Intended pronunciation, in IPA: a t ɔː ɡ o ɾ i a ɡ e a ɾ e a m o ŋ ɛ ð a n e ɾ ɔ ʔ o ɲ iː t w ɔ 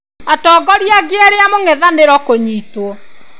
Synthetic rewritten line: a t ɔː ɡ ɔ ɾ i a ɡ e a ɾ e a m o ŋ ɛ ð a n e ɾ ɔ k o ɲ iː t w ɔ